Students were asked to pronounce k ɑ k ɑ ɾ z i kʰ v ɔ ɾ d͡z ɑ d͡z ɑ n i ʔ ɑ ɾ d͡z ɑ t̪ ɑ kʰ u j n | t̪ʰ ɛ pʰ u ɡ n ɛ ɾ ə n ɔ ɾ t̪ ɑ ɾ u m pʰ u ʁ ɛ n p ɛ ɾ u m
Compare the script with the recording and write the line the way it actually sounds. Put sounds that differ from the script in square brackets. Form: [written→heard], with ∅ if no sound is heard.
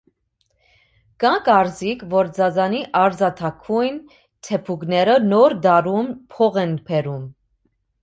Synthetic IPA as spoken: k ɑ k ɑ ɾ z i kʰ v ɔ ɾ d͡z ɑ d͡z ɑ n i ʔ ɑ ɾ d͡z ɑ [t̪→t̪ʰ] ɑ kʰ u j n | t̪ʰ ɛ pʰ u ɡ n ɛ ɾ ə n ɔ ɾ [t̪→d̪] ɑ ɾ u m pʰ [u→ɔ] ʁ ɛ n [p→pʰ] ɛ ɾ u m